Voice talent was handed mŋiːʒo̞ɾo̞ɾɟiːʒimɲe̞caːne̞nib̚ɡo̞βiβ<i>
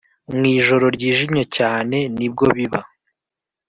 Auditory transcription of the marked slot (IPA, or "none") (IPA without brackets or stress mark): a